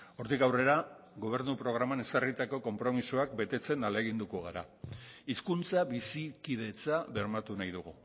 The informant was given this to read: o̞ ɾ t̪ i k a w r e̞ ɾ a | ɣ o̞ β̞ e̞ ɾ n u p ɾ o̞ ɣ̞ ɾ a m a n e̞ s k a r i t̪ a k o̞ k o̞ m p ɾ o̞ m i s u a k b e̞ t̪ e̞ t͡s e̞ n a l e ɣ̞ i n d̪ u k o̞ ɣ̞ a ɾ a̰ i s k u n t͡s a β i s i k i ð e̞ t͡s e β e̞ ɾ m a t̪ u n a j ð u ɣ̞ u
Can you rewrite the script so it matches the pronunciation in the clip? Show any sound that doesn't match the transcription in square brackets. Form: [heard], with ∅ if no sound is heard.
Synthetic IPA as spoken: o̞ ɾ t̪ i k a w r e̞ ɾ a | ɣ o̞ β̞ e̞ ɾ n u p ɾ o̞ ɣ̞ ɾ a m a n e̞ s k a r i t̪ a k o̞ k o̞ m p ɾ o̞ m i s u a k b e̞ t̪ e̞ t͡s e̞ n a l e ɣ̞ i n d̪ u k o̞ ɣ̞ a ɾ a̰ i s k u n t͡s a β i s i k i ð e̞ t͡s [a] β e̞ ɾ m a t̪ u n a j ð u ɣ̞ u

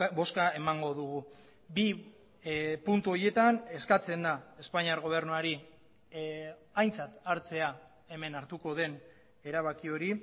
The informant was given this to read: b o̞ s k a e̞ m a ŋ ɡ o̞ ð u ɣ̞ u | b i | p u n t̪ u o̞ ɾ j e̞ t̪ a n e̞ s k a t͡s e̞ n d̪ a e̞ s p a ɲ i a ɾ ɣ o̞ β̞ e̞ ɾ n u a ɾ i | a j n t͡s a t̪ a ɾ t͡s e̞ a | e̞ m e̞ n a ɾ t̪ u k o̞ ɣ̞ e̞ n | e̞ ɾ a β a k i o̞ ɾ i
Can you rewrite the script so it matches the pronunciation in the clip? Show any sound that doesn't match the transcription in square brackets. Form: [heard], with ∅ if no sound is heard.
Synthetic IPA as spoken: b o̞ s k a e̞ m a ŋ ɡ o̞ ð u ɣ̞ u | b i | p u n t̪ u o̞ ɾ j e̞ t̪ a n e̞ s k a t͡s e̞ n d̪ a e̞ s p a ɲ i a ɾ ɣ o̞ β̞ e̞ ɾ n u a ɾ i | a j n t͡s a t̪ a ɾ t͡s e̞ a | e̞ m e̞ n a ɾ t̪ u k o̞ [ð̞] e̞ n | e̞ ɾ a β a k i o̞ ɾ i

